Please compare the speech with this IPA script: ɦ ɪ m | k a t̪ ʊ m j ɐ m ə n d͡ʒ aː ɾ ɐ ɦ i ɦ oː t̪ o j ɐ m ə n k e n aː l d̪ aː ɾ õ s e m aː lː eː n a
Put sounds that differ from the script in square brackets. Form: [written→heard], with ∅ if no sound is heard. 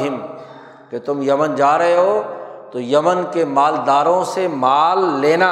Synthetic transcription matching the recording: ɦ ɪ m | k [a→e] t̪ ʊ m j ɐ m ə n d͡ʒ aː ɾ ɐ ɦ [i→e] ɦ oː t̪ o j ɐ m ə n k e [n→m] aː l d̪ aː ɾ õ s e m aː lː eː n a